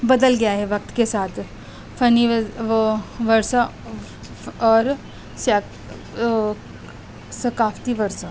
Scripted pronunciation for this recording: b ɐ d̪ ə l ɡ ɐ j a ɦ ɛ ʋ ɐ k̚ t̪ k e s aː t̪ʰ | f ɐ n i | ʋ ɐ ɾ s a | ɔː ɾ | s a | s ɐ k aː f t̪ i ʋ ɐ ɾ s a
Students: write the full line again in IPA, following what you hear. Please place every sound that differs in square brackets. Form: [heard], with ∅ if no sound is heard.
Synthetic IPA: b ɐ d̪ ə l ɡ ɐ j a ɦ ɛ ʋ ɐ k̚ t̪ k e s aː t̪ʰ | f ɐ n i | ʋ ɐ ɾ s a | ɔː ɾ | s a | s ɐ k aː f t̪ i ʋ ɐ ɾ s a